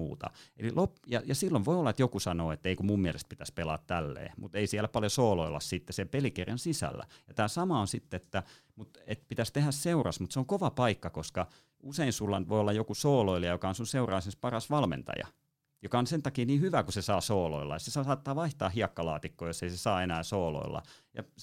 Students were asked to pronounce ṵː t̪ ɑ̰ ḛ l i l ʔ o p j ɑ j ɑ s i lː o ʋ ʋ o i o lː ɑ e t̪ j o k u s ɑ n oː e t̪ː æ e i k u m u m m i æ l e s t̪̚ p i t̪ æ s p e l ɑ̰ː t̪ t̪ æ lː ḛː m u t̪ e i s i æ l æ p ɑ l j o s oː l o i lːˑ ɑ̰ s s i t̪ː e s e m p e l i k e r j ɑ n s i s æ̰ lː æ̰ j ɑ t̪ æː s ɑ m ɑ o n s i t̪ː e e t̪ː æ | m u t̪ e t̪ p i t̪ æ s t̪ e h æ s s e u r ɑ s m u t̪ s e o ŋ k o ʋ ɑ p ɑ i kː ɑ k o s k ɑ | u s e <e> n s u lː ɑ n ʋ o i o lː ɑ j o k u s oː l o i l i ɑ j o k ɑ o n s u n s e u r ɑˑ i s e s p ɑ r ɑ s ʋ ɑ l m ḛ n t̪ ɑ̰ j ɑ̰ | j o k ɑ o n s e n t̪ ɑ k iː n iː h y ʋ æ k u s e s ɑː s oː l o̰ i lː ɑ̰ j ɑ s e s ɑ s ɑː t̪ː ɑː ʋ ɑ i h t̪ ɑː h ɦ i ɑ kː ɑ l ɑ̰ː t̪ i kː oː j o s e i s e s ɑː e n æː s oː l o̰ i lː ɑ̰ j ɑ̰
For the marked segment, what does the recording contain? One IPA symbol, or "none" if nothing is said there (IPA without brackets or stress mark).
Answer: i